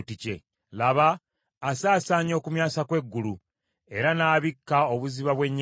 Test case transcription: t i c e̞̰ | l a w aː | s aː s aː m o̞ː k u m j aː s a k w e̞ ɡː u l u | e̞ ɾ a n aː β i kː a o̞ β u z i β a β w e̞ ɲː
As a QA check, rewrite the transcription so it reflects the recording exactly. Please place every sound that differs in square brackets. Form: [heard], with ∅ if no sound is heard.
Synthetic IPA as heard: t i c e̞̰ | l a [β] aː | s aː s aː [ɲ] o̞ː k u m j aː s a k w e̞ ɡː u l u | e̞ ɾ a n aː β i kː a o̞ β u z i β a β w e̞ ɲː